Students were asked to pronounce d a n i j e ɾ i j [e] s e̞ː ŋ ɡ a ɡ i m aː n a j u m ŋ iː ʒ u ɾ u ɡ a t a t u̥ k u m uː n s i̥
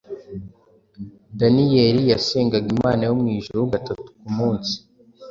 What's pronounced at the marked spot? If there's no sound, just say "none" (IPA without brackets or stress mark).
a